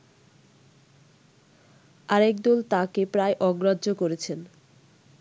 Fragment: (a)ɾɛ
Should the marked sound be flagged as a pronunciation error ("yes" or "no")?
no